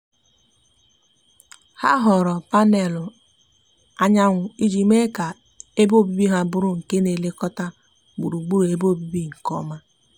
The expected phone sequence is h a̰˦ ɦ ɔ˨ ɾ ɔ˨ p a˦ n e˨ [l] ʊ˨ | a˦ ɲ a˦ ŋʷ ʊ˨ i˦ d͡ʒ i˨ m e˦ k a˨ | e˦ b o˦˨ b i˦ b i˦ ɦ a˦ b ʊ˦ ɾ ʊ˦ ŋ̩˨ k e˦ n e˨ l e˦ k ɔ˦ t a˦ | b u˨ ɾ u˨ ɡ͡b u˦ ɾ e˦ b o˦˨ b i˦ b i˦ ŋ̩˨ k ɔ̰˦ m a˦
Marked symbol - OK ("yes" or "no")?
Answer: yes